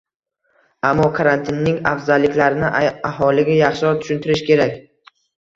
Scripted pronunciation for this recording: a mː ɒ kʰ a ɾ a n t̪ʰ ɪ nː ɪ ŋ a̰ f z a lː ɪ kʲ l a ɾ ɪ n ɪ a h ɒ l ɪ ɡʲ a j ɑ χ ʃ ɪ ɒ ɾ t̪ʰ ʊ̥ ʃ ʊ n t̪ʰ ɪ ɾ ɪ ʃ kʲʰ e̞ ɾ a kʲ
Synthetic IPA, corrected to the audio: a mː ɒ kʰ a ɾ a n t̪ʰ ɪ nː ɪ ŋ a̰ f z a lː ɪ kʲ l a ɾ ɪ n ɪ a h ɒ l ɪ ɡʲ a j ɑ χ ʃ ɪ ɒ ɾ t̪ʰ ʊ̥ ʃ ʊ n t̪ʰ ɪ ɾ ɪ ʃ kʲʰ e̞ ɾ a kʲ